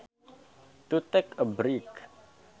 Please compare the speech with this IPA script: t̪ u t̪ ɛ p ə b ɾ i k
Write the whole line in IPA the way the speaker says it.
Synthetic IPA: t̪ u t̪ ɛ k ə b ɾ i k